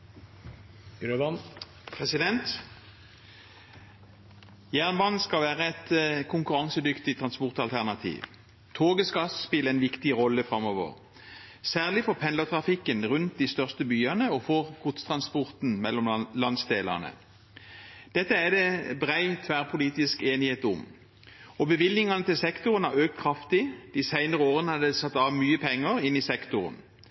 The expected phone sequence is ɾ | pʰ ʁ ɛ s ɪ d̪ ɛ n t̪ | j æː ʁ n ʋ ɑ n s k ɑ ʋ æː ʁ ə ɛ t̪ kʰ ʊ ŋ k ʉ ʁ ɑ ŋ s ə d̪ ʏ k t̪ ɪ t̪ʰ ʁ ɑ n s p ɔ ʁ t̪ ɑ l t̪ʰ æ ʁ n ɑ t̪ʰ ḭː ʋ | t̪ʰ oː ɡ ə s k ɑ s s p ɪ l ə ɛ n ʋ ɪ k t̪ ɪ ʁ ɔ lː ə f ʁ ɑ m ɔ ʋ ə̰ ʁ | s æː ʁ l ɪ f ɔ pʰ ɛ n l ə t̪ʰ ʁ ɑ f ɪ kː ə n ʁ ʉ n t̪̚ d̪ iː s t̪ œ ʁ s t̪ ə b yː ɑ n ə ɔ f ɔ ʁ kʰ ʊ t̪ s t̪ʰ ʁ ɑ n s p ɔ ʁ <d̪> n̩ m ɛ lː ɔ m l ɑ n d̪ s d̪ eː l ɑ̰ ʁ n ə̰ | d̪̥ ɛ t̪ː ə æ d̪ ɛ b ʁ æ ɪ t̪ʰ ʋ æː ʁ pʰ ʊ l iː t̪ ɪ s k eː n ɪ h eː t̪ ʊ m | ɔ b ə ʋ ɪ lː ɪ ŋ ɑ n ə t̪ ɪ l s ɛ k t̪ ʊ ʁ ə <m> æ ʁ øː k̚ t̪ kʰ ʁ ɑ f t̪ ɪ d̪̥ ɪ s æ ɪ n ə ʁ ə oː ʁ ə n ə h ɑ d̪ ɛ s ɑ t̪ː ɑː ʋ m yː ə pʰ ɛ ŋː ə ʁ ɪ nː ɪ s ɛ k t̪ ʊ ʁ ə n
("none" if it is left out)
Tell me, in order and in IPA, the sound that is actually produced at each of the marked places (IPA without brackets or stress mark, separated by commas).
t̪, n